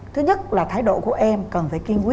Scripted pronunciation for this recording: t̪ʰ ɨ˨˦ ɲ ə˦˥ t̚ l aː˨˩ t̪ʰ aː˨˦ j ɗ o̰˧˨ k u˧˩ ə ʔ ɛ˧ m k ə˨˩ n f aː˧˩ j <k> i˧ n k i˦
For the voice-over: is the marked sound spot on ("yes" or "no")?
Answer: yes